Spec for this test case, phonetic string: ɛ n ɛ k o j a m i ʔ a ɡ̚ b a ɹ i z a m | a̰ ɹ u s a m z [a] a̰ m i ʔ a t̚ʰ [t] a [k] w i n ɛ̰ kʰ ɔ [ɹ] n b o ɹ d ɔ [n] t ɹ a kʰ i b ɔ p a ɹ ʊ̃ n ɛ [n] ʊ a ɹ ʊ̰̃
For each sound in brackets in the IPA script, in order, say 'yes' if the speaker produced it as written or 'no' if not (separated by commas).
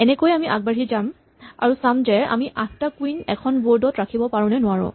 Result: no, yes, yes, no, no, yes